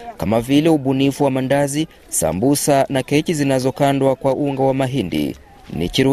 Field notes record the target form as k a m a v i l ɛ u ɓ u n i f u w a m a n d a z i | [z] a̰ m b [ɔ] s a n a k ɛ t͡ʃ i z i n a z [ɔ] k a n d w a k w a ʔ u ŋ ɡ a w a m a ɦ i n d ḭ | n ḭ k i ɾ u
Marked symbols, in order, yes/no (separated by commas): no, no, yes